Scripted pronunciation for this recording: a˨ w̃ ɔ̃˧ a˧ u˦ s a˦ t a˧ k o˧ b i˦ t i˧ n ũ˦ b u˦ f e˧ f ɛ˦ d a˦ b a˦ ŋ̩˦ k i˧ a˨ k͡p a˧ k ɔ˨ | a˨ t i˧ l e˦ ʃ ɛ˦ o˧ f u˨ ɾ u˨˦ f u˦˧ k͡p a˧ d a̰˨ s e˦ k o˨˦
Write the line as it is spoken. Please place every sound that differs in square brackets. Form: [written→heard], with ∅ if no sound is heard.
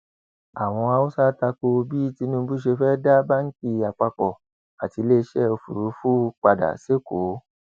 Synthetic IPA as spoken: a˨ w̃ ɔ̃˧ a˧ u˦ s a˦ t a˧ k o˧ b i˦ t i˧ n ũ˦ b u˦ [f→ʃ] e˧ f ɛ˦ d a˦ b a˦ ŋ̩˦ k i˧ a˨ k͡p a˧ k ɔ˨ | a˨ t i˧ l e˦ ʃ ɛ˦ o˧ f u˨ ɾ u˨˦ f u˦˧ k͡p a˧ d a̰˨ s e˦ k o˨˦

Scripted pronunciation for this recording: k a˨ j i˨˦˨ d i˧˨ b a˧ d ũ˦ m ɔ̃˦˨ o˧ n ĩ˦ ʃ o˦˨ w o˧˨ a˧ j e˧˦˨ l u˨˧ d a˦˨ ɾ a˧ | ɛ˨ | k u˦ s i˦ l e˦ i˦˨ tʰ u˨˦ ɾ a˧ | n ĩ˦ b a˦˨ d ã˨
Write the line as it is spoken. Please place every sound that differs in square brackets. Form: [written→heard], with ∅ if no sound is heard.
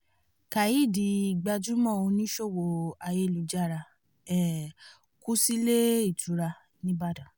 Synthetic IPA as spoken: k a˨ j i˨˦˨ d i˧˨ [b→ɡ͡b] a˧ [d→d͡ʒ] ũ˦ m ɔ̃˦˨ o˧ n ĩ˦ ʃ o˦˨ w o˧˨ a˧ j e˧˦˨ l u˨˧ [d→d͡ʒ] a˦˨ ɾ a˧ | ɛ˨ | k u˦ s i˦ l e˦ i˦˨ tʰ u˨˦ ɾ a˧ | n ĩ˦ b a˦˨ d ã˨

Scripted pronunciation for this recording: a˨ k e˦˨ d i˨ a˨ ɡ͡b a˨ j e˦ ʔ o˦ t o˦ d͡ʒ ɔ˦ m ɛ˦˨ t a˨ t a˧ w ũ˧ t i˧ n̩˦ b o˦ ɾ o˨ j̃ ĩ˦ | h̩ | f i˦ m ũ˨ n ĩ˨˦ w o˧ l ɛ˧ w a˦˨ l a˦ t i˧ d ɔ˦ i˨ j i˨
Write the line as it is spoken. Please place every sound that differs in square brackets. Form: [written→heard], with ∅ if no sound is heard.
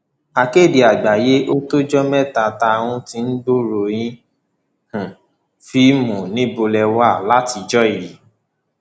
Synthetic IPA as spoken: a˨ k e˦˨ d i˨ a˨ ɡ͡b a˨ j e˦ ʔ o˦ t o˦ d͡ʒ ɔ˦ m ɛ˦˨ t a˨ t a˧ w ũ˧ t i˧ n̩˦ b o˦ ɾ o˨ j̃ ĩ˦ | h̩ | f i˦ m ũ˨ n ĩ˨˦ [w→b] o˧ l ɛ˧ w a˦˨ l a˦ t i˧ [d→d͡ʒ] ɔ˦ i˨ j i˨

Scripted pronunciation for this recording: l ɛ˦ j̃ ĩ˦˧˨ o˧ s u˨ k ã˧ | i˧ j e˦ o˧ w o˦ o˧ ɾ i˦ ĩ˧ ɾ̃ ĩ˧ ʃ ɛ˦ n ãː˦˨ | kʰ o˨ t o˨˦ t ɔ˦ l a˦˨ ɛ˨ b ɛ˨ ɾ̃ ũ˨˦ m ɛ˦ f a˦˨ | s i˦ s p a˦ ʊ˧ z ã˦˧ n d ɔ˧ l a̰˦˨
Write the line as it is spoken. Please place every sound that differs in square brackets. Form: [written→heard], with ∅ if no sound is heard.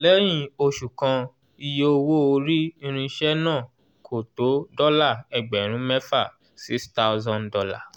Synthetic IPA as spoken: l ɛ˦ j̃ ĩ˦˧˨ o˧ [s→ʃ] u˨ k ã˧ | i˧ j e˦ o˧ w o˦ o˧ ɾ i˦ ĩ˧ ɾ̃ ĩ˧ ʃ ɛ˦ n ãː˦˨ | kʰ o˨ t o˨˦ [t→d] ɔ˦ l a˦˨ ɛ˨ [b→ɡ͡b] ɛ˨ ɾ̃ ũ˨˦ m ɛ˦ f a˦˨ | s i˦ s [p→t] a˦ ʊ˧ z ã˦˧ n d ɔ˧ l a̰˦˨

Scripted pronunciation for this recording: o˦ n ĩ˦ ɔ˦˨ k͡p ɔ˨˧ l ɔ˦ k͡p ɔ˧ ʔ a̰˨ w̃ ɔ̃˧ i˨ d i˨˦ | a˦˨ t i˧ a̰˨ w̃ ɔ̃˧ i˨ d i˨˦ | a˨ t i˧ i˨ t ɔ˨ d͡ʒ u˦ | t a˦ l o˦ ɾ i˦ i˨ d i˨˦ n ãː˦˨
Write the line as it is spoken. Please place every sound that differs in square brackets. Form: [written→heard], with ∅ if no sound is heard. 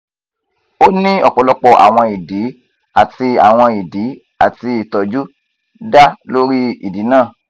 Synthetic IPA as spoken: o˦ n ĩ˦ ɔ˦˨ k͡p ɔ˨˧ l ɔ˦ k͡p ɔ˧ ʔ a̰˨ w̃ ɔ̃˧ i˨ d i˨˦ | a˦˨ t i˧ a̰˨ w̃ ɔ̃˧ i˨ d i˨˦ | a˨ t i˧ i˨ t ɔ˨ d͡ʒ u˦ | [t→d] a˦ l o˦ ɾ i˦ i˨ d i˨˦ n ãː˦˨

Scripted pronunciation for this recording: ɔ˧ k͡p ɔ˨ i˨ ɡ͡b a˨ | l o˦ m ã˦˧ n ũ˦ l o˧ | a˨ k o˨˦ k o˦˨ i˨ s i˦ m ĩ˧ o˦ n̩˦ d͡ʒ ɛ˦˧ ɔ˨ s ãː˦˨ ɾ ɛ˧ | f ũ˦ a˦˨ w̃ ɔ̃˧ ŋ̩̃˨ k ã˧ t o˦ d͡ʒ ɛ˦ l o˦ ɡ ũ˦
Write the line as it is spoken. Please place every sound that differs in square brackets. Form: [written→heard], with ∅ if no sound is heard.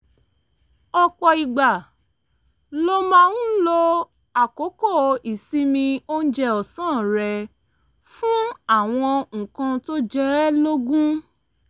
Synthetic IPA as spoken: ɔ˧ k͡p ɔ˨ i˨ ɡ͡b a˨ | l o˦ m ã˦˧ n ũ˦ l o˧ | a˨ k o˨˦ k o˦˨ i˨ s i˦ m ĩ˧ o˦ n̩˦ d͡ʒ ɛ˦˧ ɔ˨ s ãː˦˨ ɾ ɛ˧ | f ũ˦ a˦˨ w̃ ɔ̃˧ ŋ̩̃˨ k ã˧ t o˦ d͡ʒ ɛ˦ l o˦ ɡ ũ˦

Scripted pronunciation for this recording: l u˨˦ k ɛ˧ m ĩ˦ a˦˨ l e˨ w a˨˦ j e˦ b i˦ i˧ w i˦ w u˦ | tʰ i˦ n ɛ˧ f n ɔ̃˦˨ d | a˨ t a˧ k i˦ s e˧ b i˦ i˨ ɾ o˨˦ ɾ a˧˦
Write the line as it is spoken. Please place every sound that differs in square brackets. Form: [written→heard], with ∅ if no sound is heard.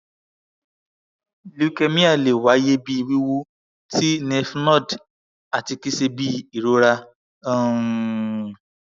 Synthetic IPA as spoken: l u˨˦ k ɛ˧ m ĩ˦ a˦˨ l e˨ w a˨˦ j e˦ b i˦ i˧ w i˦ w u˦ | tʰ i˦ n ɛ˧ f n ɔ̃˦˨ d | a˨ t [a˧→i˧] k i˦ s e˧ b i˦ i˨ ɾ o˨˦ ɾ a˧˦

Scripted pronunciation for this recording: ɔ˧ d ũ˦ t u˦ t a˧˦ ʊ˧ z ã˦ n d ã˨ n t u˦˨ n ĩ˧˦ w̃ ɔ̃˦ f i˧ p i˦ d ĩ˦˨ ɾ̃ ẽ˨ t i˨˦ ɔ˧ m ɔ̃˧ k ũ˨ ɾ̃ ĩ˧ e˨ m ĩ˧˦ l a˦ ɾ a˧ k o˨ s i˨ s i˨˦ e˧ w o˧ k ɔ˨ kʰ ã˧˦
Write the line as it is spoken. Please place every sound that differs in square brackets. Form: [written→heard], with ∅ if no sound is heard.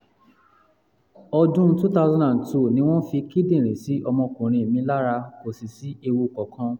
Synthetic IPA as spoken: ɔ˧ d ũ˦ t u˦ t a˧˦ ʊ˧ z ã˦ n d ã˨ n t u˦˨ n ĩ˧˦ w̃ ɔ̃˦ f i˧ [p→k] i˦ d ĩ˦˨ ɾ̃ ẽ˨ [t→s] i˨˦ ɔ˧ m ɔ̃˧ k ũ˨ ɾ̃ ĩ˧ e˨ m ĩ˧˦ l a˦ ɾ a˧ k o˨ s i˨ s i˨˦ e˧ w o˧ k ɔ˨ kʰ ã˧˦

